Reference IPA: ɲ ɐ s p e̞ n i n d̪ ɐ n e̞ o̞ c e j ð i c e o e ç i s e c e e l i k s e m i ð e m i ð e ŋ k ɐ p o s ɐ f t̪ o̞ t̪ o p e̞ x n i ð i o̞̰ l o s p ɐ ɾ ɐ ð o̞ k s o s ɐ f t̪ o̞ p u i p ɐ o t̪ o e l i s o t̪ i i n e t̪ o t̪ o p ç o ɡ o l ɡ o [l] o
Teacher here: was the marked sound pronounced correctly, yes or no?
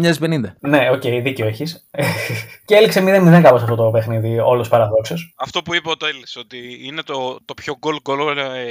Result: yes